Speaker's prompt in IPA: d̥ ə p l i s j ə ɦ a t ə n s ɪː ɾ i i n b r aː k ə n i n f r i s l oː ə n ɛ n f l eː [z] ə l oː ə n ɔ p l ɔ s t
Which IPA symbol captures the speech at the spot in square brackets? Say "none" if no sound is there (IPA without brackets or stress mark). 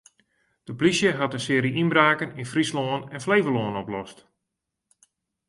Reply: v